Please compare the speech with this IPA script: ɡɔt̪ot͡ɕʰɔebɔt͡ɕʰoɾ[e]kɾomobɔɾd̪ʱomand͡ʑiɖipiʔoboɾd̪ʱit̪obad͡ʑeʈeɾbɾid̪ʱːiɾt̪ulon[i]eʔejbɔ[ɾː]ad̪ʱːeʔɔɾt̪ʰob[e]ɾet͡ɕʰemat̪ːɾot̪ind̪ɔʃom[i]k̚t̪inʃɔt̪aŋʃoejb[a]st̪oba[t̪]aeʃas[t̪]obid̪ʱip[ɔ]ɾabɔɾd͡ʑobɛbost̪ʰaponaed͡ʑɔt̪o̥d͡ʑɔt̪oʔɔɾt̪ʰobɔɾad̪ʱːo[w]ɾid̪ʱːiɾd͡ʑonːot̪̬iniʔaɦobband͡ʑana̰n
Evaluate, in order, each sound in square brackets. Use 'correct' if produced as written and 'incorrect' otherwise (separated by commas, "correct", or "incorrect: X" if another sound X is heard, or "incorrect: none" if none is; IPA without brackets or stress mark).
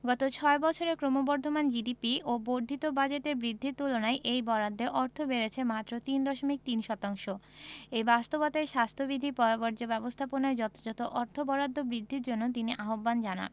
correct, incorrect: a, incorrect: ɾ, correct, correct, correct, correct, incorrect: t̪ʰ, correct, incorrect: b